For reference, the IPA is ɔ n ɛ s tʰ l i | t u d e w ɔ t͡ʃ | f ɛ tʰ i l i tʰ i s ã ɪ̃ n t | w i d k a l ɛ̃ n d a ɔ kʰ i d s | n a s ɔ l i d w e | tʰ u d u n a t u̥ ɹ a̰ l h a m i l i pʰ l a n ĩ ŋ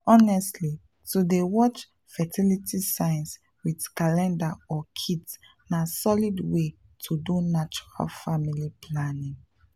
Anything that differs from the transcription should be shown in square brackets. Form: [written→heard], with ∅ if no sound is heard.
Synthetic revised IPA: ɔ n ɛ s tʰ l i | t u d e w ɔ t͡ʃ | f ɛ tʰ i l i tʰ i s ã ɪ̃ n [t→s] | w i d k a l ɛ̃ n d a ɔ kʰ i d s | n a s ɔ l i d w e | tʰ u d u n a [t→t͡ʃ] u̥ ɹ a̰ l [h→f] a m i l i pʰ l a n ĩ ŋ